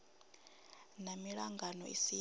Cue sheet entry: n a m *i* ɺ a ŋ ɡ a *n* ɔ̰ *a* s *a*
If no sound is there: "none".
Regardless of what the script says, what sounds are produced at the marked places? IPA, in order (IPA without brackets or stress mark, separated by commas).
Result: i, n, i, i